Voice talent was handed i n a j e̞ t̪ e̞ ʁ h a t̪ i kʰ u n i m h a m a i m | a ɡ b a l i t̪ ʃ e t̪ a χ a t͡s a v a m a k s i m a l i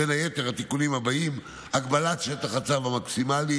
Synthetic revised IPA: e n a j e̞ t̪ e̞ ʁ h a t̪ i k u n i m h a b a i m | a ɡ b a l a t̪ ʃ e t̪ a χ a t͡s a v a m a k s i m a l i